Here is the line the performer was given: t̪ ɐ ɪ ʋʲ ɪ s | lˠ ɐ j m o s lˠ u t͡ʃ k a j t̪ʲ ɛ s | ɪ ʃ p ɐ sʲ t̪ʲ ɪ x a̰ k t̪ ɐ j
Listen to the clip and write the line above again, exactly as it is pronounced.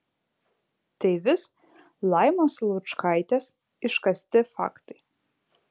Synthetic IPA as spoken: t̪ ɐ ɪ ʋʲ ɪ s | lˠ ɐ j m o s lˠ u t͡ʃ k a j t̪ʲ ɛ s | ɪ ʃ k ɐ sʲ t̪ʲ ɪ f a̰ k t̪ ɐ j